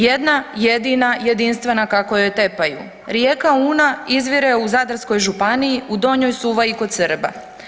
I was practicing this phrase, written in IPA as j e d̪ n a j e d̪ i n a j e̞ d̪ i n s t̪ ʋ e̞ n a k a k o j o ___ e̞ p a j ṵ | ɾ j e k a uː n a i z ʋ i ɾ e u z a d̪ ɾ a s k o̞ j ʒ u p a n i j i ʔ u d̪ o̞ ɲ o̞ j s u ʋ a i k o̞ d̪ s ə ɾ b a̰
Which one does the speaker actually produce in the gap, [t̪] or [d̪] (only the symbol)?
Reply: t̪